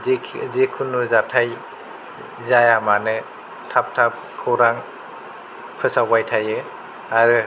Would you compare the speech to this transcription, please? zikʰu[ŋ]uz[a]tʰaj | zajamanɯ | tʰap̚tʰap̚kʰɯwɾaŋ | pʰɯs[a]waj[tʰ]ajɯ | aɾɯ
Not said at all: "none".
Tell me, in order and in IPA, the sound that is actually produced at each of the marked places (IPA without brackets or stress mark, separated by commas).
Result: n, a, a, tʰ